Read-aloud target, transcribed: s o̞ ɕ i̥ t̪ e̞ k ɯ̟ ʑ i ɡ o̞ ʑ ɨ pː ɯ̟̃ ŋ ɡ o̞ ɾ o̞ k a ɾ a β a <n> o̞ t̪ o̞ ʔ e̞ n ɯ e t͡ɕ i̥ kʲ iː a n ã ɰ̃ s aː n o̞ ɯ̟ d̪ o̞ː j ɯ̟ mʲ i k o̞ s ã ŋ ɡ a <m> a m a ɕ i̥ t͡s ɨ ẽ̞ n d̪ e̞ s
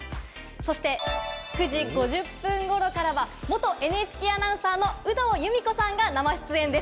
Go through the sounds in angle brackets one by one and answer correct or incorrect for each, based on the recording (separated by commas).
incorrect, incorrect